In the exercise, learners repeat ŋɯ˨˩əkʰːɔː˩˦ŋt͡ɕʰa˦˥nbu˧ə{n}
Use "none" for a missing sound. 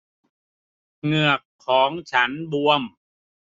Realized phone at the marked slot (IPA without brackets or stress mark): m